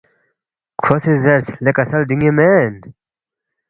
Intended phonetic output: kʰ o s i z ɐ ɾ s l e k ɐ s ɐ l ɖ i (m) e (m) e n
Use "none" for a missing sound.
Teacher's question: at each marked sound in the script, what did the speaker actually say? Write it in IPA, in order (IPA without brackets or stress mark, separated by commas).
ŋ, m